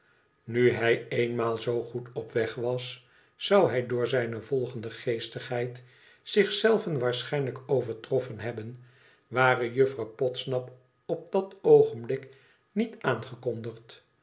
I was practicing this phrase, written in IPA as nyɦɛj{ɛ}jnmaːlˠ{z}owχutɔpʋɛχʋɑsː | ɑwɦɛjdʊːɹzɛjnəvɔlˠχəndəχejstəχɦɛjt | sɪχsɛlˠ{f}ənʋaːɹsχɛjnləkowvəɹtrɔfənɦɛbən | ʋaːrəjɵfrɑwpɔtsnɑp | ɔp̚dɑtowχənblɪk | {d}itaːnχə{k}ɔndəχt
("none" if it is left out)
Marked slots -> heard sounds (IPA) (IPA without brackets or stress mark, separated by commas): e, z, v, n, k